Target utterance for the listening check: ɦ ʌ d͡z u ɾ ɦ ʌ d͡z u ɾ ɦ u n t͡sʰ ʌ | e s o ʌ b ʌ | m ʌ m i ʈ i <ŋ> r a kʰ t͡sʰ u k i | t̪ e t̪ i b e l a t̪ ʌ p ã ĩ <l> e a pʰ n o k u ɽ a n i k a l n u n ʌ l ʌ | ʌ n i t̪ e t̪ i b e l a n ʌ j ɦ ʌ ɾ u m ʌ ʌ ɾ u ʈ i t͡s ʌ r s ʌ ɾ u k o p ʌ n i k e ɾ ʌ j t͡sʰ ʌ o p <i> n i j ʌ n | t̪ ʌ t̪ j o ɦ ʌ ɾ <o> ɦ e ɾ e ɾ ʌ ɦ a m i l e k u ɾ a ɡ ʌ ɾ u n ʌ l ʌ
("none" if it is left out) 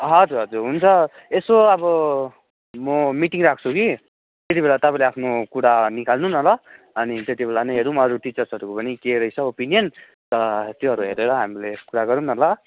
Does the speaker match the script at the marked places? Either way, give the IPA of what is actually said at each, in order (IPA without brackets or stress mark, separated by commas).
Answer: ŋ, l, i, u